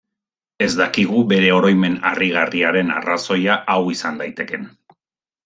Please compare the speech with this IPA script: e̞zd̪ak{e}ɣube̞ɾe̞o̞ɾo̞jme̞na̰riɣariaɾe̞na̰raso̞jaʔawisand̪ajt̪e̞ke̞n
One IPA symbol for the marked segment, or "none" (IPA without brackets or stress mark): i